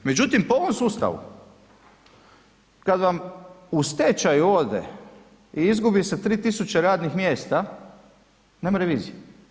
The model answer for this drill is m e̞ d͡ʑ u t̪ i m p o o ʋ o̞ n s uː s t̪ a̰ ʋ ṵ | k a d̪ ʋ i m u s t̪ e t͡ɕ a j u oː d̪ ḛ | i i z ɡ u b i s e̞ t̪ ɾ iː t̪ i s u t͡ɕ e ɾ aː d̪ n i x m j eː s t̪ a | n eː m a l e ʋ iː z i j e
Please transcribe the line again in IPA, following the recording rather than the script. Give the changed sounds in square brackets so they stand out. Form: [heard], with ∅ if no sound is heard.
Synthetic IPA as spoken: m e̞ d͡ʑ u t̪ i m p o o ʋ o̞ [m] s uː s t̪ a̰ ʋ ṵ | k a d̪ ʋ [a] m u s t̪ e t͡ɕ a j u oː d̪ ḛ | i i z ɡ u b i s e̞ t̪ ɾ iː t̪ i s u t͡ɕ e ɾ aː d̪ n i x m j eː s t̪ a | n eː m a [ɾ] e ʋ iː z i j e